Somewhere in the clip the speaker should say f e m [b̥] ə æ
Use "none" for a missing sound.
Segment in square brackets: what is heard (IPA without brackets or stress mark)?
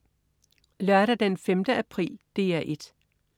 d̥